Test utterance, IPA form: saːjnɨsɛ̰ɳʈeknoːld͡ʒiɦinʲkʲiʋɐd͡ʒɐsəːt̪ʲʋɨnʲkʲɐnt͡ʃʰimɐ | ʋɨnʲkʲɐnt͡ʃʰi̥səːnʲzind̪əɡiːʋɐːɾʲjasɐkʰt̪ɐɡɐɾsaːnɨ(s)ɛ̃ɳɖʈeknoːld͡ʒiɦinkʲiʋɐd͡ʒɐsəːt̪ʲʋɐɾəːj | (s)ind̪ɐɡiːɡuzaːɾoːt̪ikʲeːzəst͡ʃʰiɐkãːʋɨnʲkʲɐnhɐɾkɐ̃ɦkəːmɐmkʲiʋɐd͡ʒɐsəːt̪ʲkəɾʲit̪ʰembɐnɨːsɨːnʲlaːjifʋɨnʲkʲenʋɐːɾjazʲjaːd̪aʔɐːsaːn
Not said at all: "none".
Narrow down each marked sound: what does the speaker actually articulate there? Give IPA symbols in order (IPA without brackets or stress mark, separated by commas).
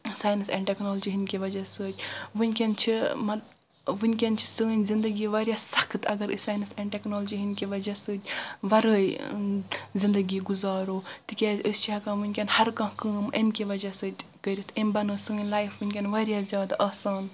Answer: s, z